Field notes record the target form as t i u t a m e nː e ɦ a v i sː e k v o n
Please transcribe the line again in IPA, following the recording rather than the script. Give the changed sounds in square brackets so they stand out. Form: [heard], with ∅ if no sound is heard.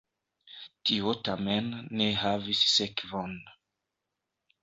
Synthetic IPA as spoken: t i [o] t a m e nː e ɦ a v i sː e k v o n